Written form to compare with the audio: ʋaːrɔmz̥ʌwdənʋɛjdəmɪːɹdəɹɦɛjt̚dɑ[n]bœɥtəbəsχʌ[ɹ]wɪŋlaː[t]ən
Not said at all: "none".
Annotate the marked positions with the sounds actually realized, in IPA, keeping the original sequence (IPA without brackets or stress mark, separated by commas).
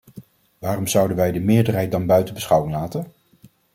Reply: n, none, t